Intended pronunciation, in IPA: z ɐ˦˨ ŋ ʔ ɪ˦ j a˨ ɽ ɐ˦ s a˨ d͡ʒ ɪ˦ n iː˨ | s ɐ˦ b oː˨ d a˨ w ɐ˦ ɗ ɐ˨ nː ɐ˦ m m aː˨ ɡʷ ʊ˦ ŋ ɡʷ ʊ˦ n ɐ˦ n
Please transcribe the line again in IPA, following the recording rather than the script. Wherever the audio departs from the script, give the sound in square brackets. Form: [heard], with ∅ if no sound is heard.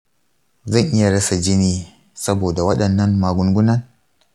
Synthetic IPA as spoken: z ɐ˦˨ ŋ ʔ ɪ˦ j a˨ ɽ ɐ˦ s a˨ d͡ʒ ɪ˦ n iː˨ | s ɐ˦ b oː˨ d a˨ w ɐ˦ ɗ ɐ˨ nː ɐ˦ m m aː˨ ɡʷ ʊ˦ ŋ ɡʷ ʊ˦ n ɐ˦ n

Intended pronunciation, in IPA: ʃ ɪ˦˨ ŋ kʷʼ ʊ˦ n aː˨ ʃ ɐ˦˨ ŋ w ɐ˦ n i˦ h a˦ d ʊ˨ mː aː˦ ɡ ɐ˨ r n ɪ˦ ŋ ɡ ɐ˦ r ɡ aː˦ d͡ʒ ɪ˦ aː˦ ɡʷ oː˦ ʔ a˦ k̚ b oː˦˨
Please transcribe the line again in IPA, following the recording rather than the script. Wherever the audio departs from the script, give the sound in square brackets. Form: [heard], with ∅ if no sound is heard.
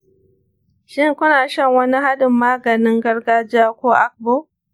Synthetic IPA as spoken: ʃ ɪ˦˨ ŋ [kʷ] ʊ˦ n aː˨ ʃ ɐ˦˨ ŋ w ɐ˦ n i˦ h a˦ d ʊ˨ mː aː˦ ɡ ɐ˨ [∅] n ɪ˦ ŋ ɡ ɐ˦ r ɡ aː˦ d͡ʒ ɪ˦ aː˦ [kʷ] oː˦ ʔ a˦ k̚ b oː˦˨

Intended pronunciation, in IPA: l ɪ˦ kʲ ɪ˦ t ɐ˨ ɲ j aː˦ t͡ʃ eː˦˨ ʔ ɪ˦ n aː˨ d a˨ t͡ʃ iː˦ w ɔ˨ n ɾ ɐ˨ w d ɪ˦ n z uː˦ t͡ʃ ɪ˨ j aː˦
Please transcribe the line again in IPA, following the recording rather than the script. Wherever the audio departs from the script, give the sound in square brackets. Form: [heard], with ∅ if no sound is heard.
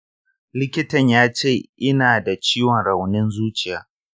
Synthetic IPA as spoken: l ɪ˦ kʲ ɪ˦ t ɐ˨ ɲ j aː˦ t͡ʃ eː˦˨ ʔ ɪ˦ n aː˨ d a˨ t͡ʃ iː˦ w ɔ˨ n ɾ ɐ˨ w [n] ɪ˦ n z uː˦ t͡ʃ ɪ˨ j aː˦

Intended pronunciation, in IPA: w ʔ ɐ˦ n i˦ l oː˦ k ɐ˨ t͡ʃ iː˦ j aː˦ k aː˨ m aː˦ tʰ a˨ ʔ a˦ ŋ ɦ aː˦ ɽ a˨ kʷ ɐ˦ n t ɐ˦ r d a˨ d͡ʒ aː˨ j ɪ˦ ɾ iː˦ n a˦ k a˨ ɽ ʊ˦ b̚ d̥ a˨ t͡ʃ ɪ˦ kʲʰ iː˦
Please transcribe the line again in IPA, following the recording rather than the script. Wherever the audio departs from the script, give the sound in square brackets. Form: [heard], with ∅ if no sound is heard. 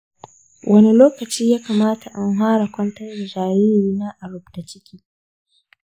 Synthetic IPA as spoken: w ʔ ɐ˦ n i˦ l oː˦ k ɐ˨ t͡ʃ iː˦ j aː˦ k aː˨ m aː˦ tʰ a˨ ʔ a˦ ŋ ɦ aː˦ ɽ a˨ kʷ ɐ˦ n t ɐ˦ r d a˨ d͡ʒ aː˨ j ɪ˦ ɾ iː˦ n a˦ [ʔ] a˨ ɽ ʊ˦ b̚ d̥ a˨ t͡ʃ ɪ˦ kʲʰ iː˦

